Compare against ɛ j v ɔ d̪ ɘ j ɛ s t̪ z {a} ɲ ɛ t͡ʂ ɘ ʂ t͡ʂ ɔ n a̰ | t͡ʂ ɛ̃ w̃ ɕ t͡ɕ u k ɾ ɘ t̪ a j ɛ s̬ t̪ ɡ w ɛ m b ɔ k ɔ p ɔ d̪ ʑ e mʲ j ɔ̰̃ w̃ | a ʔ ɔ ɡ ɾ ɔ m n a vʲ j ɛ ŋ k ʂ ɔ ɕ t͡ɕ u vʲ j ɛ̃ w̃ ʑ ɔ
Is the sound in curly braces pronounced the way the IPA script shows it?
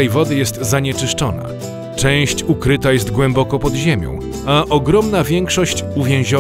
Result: yes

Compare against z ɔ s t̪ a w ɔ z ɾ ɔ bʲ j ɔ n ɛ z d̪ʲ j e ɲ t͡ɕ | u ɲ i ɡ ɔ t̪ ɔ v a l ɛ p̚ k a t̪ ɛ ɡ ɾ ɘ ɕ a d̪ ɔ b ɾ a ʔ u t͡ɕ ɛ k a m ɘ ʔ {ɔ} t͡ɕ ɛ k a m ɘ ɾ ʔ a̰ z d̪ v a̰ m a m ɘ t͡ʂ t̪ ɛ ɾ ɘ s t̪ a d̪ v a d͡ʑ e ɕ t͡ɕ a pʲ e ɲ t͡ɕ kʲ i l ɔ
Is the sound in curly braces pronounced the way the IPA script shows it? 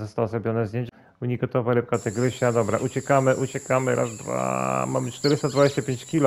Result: no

